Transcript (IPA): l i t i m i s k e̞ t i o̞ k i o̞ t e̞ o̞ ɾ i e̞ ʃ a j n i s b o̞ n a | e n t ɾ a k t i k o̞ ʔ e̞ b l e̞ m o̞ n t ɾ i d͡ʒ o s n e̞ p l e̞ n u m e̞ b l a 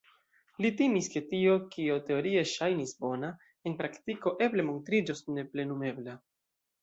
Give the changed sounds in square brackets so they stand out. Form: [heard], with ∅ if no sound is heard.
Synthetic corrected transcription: l i t i m i s k e̞ t i o̞ k i o̞ t e̞ o̞ ɾ i e̞ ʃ a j n i s b o̞ n a | e n [p] ɾ a k t i k o̞ ʔ e̞ b l e̞ m o̞ n t ɾ i d͡ʒ o s n e̞ p l e̞ n u m e̞ b l a